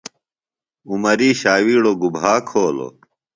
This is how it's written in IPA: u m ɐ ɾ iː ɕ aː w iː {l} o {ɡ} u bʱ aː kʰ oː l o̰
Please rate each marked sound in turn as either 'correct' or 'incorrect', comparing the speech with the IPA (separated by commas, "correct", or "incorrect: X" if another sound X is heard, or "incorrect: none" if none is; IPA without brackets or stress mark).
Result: incorrect: ɽ, correct